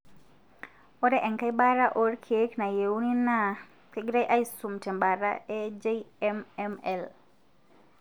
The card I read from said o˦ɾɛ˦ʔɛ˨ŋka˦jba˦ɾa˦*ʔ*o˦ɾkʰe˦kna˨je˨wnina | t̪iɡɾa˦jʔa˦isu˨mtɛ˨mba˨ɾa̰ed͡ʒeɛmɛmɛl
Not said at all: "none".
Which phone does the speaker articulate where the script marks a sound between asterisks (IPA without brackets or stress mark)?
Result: ʔ